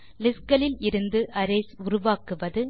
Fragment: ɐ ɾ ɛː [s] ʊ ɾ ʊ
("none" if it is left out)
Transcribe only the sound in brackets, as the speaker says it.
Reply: s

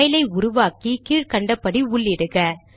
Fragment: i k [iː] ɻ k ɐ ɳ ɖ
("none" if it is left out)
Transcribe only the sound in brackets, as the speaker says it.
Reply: iː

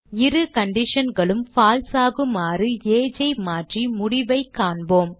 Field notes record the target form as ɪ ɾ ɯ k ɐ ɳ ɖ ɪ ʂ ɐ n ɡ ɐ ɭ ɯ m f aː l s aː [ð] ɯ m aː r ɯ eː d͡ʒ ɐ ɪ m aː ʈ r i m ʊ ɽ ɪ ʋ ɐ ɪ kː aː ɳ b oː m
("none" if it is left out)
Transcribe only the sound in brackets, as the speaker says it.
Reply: ɣ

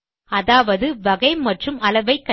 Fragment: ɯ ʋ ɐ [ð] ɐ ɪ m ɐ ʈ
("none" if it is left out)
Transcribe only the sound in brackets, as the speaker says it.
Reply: ɣ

